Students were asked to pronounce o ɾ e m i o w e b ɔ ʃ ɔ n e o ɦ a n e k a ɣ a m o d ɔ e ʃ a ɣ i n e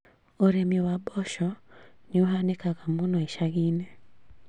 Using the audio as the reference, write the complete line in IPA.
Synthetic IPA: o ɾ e m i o w a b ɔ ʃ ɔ n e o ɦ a n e k a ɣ a m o n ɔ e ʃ a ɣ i n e